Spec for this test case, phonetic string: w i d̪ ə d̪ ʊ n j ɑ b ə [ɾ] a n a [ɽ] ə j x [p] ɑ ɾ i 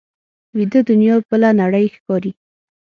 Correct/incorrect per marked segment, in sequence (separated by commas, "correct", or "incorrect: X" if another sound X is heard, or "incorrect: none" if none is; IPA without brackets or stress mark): incorrect: l, correct, incorrect: k